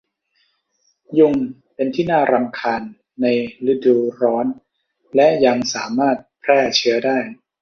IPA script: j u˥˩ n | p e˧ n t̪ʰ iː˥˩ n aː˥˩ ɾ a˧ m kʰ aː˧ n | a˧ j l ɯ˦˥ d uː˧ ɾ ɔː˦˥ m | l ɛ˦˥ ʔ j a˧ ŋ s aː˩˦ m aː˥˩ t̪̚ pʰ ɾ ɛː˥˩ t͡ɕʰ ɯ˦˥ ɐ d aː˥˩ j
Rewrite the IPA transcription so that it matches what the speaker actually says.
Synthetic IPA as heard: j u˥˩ ŋ | p e˧ n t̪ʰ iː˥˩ n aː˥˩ ɾ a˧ m kʰ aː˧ nː | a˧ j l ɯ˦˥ d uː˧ ɾ ɔː˦˥ n | l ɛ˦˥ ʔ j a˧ ŋ s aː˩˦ m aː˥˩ t̪̚ pʰ ɾ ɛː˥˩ t͡ɕʰ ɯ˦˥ ɐ d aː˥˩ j